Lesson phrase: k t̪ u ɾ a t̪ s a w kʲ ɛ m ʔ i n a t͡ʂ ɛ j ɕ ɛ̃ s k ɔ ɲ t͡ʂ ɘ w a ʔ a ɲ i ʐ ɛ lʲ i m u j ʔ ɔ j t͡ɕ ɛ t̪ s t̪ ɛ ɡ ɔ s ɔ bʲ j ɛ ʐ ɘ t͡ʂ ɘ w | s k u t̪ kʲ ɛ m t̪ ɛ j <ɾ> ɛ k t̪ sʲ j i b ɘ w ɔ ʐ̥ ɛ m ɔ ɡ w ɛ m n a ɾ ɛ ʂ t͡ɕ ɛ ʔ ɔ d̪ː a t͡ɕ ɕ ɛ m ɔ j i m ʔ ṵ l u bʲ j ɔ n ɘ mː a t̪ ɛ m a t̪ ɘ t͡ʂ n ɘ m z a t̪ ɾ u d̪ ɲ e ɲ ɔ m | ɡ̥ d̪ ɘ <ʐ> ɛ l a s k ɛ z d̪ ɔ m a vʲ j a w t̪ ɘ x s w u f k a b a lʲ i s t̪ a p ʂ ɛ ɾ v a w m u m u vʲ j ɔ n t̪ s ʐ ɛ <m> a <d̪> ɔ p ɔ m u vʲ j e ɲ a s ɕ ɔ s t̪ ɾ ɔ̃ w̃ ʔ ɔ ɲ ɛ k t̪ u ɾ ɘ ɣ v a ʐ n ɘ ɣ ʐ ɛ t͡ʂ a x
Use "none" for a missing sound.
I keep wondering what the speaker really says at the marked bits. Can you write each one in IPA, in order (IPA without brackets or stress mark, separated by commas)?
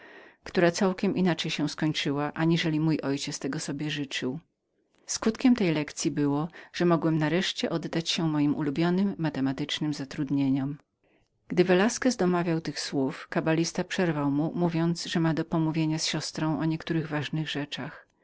l, v, m, d̪